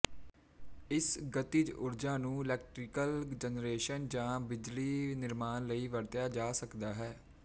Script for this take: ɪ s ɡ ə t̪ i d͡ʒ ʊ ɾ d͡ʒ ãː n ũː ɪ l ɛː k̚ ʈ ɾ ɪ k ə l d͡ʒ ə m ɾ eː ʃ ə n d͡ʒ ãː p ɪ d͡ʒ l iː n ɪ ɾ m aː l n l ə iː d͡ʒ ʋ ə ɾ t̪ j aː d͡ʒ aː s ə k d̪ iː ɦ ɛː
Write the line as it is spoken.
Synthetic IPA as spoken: ɪ s ɡ ə t̪ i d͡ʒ ʊ ɾ d͡ʒ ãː n ũː ɪ l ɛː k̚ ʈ ɾ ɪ k ə l d͡ʒ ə n ɾ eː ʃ ə n d͡ʒ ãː b ɪ d͡ʒ l iː n ɪ ɾ m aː n l ə iː ʋ ə ɾ t̪ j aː d͡ʒ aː s ə k d̪ aː ɦ ɛː